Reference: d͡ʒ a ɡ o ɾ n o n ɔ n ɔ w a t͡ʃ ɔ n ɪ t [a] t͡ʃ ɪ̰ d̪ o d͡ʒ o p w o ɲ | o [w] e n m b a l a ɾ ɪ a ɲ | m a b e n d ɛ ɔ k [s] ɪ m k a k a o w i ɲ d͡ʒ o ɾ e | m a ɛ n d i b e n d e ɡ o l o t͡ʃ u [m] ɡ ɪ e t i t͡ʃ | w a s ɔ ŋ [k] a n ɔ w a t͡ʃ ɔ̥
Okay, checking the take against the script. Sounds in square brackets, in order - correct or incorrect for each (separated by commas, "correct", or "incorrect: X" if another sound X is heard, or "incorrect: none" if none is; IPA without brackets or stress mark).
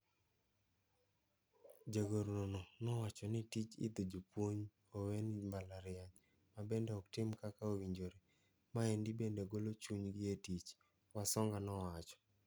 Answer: incorrect: i, correct, incorrect: t, incorrect: ɲ, incorrect: ɡ